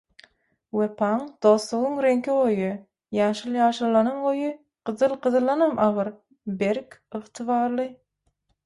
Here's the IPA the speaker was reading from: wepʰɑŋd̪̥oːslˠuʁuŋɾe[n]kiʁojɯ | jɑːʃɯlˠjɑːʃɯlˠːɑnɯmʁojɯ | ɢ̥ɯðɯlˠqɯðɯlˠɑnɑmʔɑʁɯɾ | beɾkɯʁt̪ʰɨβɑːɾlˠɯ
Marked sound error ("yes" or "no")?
yes